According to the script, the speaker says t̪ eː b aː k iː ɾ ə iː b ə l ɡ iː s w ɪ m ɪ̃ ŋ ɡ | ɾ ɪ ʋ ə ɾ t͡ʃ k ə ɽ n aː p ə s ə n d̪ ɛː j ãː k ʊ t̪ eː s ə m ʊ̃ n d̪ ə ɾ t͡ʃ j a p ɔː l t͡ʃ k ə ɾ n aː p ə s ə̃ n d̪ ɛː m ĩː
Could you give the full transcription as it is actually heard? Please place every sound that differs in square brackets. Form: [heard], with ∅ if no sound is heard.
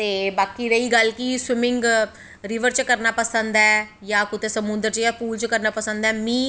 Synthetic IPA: t̪ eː b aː k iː ɾ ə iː [ɡ] ə l [k] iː s w ɪ m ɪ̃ ŋ ɡ | ɾ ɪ ʋ ə ɾ t͡ʃ k ə [ɾ] n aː p ə s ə n d̪ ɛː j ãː k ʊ t̪ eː s ə m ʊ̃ n d̪ ə ɾ t͡ʃ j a p [uː] l t͡ʃ k ə ɾ n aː p ə s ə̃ n d̪ ɛː m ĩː